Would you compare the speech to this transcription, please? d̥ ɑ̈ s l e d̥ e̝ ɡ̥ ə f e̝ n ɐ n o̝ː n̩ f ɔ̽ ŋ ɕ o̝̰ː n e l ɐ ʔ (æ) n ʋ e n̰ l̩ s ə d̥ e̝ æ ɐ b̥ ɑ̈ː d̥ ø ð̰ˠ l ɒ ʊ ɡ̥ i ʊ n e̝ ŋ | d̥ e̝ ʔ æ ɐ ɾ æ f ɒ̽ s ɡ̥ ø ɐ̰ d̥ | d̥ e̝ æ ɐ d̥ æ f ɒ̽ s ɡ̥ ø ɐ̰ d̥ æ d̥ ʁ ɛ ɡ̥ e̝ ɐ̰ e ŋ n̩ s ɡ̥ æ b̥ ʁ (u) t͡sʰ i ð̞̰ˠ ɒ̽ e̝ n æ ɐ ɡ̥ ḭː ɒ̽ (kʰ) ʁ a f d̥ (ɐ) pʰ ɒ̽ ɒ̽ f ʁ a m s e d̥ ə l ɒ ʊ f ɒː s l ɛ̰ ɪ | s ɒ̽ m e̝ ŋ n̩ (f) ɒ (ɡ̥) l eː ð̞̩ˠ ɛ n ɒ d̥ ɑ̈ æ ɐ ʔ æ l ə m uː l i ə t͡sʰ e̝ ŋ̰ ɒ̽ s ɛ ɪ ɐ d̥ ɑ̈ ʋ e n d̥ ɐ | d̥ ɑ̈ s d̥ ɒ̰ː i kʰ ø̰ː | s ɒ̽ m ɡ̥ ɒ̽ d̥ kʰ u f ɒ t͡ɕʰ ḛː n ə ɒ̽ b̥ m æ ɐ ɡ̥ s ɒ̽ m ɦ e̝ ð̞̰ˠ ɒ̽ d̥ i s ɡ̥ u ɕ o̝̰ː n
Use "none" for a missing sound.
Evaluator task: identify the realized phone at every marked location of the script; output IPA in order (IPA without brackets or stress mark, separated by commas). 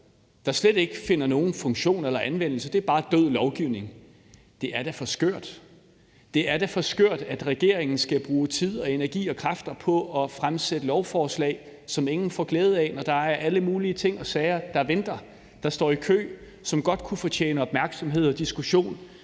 æ, uː, kʰ, ɐ, f, ɡ̥